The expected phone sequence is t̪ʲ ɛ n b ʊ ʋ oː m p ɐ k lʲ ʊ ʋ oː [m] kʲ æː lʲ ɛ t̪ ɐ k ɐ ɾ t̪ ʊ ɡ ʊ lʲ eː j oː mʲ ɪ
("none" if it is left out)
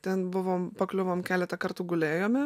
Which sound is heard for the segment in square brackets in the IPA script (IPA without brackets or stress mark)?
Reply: m